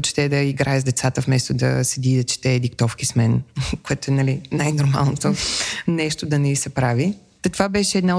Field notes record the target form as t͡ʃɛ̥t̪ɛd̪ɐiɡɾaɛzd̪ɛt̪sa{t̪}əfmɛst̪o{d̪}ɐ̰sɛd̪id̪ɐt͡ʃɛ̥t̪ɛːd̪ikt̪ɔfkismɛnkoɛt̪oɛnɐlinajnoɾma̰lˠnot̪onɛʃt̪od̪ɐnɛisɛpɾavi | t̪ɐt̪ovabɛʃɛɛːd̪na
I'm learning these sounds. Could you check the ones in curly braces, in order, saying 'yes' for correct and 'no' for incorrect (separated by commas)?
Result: yes, yes